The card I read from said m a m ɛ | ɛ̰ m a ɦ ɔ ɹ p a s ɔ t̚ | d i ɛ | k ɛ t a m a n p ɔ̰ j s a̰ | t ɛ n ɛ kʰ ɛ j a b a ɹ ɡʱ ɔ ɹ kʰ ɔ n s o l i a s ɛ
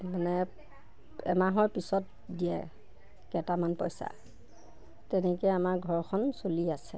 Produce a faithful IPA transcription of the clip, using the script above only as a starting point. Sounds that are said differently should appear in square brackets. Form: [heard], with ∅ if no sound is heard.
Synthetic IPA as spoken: m a [n] ɛ | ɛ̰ m a ɦ ɔ ɹ p [i] s ɔ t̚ | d i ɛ | k ɛ t a m a n p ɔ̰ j s a̰ | t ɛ n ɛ [k] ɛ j a [m] a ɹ ɡʱ ɔ ɹ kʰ ɔ n s o l i a s ɛ